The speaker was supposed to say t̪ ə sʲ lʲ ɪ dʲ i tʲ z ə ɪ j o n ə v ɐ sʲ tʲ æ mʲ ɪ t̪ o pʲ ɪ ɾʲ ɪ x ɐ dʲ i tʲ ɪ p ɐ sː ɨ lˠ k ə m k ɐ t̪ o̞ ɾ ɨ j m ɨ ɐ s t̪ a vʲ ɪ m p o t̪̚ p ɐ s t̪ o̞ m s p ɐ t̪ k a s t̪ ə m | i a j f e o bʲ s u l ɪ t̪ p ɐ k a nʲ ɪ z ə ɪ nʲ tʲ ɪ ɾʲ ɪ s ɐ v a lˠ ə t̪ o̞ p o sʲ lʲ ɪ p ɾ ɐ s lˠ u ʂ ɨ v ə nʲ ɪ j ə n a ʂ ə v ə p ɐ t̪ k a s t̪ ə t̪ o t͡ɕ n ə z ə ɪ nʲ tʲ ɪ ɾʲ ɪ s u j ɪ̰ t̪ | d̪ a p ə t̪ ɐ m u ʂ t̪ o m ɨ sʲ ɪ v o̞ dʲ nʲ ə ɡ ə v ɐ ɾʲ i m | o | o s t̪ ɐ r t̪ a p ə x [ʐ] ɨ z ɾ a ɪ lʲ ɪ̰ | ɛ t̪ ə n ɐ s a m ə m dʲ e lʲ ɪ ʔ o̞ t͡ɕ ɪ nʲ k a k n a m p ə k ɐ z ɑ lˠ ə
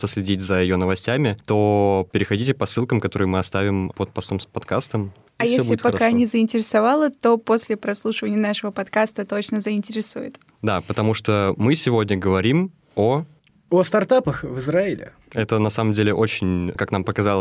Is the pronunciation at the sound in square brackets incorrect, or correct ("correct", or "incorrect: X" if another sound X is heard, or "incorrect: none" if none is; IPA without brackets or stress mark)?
incorrect: v